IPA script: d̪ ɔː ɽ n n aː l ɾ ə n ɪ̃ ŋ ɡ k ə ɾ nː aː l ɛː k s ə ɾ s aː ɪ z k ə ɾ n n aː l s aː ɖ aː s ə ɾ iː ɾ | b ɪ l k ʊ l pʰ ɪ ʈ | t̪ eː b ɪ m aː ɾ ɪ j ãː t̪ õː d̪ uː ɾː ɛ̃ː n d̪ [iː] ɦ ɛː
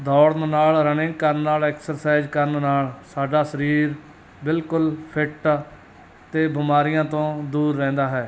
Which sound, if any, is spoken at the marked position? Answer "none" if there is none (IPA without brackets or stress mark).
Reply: aː